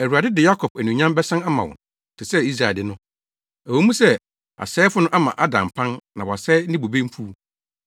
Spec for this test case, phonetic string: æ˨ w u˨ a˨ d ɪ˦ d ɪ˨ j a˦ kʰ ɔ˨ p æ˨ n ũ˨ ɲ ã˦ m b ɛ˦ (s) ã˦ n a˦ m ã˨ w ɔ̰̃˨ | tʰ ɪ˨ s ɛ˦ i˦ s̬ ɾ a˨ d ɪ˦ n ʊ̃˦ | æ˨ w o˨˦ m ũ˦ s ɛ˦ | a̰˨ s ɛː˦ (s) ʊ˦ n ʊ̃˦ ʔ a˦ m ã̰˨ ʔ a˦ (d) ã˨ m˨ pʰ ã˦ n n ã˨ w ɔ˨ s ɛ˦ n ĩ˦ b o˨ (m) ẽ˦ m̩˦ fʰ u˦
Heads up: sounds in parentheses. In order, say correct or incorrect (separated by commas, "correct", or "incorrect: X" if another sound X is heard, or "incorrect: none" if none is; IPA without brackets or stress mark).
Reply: correct, incorrect: f, correct, incorrect: b